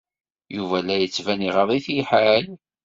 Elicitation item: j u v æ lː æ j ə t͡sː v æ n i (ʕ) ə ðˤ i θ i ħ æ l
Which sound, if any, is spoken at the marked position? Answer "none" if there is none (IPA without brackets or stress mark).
ʁ